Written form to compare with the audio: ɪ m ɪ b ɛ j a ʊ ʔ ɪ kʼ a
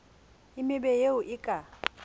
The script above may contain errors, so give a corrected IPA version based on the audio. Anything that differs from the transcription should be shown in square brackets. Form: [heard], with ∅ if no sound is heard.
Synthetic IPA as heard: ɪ m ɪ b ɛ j [e] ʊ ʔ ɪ kʼ a